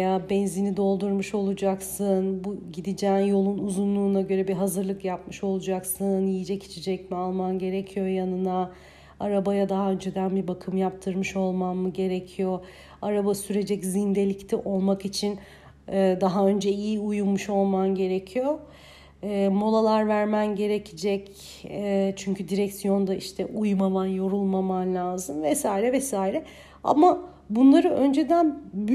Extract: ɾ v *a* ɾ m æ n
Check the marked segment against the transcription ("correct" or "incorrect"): incorrect